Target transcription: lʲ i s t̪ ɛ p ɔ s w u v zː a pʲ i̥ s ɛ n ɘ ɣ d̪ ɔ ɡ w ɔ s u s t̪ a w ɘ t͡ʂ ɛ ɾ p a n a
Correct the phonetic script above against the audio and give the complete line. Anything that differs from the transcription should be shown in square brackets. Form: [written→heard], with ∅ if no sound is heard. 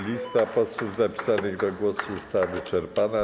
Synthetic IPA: lʲ i s t̪ [ɛ→a] p ɔ s w u v [zː→z] a pʲ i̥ s [ɛ→a] n ɘ ɣ d̪ ɔ ɡ w ɔ s u s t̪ a [w→v] ɘ t͡ʂ ɛ ɾ p a n a